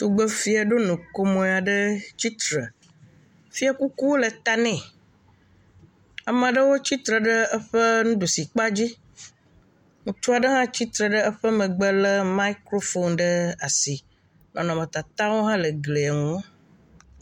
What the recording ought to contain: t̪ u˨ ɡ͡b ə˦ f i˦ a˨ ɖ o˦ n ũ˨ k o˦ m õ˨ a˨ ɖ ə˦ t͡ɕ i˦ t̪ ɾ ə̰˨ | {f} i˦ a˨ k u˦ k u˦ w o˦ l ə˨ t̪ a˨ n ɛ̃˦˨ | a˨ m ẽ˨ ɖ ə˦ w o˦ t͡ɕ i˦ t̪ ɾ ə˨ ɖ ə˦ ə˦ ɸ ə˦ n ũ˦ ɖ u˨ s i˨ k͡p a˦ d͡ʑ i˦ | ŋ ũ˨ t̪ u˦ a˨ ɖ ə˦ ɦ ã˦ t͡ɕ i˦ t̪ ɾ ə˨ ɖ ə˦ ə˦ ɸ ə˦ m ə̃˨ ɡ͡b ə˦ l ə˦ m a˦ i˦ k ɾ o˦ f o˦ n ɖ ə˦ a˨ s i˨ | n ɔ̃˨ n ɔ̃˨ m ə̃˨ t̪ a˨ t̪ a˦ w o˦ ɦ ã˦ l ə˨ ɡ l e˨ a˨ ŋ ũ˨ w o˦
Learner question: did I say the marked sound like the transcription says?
yes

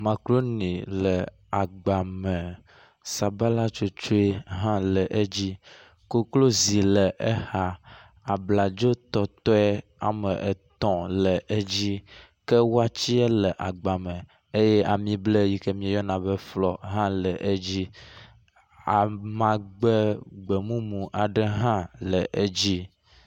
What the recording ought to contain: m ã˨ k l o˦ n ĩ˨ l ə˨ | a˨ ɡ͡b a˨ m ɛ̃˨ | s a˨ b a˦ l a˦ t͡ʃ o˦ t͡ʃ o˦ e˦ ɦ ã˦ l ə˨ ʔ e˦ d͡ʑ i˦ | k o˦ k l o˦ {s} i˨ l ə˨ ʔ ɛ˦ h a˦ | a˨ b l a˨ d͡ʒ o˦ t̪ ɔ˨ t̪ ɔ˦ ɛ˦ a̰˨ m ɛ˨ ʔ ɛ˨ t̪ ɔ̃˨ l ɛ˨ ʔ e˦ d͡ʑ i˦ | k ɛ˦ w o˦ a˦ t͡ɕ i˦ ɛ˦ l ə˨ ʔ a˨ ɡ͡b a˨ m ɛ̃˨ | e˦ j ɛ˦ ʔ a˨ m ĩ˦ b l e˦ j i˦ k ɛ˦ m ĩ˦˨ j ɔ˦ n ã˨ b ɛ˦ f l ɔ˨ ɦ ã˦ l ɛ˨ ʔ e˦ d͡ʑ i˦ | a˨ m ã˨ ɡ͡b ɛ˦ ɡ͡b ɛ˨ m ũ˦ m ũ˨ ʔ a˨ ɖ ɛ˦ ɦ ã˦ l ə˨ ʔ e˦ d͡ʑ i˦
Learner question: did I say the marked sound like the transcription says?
no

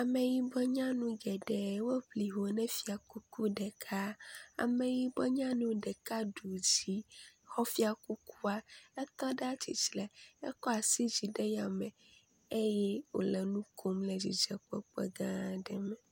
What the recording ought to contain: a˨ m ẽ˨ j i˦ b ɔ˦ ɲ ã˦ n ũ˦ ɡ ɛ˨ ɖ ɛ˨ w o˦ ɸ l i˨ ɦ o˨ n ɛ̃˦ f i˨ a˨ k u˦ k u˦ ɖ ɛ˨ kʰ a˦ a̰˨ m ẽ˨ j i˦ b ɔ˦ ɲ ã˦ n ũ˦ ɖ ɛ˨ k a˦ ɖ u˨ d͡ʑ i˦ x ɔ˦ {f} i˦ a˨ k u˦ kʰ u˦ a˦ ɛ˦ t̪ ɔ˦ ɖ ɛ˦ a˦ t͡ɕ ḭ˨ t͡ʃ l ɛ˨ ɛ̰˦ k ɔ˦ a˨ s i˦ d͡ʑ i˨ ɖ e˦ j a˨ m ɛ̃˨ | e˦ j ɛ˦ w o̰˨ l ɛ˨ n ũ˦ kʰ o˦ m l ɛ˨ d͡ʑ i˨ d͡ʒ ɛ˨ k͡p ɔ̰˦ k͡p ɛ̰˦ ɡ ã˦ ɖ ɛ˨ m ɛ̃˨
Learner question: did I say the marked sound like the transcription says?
yes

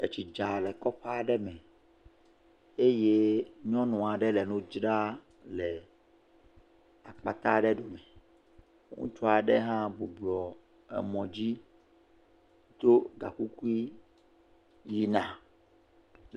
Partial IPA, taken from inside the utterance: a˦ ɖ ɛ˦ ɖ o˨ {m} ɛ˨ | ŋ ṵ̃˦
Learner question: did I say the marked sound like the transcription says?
yes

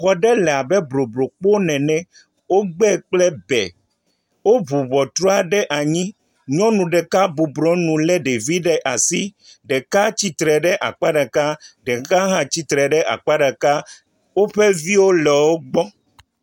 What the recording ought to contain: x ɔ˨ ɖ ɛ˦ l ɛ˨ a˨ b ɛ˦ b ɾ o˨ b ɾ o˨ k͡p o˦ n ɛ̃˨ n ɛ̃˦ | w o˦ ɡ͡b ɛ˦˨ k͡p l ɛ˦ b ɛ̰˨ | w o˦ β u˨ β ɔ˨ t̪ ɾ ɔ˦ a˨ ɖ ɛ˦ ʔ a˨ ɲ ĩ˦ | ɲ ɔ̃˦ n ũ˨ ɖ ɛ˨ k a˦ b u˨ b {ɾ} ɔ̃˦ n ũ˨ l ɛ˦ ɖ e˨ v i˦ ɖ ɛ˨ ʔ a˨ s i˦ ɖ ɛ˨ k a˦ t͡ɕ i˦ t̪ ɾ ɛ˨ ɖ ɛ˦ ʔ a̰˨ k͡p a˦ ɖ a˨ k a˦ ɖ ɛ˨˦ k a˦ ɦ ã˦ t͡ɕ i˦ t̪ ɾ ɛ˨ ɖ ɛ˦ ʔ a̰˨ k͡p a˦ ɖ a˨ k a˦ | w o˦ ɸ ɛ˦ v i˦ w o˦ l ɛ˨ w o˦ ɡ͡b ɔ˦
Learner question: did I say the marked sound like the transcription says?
yes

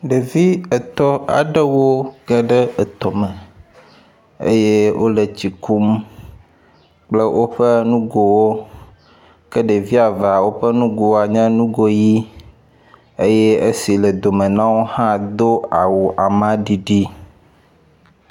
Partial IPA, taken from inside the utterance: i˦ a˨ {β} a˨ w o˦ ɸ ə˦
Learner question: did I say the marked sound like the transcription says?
no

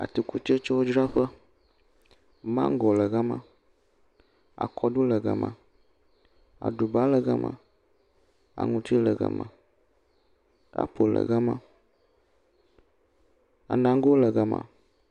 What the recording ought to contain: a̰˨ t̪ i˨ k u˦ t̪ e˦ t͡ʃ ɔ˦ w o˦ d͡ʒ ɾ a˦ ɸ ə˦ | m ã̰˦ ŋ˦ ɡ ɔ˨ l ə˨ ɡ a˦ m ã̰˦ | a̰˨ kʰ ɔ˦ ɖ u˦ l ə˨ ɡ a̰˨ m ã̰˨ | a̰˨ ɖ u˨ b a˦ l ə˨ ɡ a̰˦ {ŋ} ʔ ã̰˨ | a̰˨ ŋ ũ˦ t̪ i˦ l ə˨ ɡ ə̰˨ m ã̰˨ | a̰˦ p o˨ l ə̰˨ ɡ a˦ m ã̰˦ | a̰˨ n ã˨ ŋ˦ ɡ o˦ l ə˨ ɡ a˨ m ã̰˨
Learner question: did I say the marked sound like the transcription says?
no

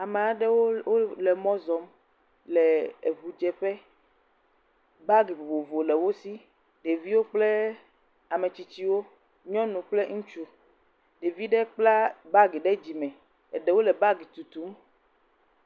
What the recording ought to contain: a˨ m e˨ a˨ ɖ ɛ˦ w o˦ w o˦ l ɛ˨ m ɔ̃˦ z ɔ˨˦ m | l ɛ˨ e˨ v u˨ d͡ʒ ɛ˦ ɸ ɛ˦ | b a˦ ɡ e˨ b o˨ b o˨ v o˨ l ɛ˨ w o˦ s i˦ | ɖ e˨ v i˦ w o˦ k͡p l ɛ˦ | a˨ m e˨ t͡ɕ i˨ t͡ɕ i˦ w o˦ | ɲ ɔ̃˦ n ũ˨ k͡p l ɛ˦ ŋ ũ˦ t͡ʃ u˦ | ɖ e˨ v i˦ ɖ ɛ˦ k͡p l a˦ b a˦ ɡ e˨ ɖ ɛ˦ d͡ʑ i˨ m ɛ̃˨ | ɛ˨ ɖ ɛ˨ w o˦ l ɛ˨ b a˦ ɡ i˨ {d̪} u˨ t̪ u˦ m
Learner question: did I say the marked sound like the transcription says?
no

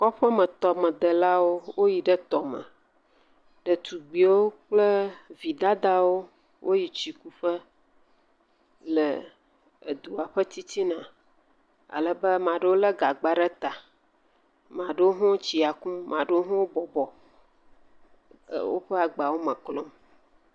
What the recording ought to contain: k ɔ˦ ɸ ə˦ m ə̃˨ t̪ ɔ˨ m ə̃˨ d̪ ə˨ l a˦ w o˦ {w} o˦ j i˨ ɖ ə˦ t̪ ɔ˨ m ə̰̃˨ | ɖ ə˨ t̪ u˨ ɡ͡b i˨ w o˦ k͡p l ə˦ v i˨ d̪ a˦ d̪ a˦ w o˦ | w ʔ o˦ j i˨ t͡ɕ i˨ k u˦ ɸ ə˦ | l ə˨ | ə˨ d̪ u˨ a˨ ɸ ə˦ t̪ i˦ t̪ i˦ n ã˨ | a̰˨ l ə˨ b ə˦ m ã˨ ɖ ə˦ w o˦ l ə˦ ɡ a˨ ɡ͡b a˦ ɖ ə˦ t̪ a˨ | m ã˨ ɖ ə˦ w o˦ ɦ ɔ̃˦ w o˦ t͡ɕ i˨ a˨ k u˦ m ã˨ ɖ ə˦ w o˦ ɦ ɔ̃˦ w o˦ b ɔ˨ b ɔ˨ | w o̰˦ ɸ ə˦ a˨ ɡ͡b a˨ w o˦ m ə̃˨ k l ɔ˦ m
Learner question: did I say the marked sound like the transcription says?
yes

